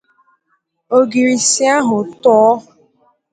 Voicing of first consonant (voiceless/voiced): voiced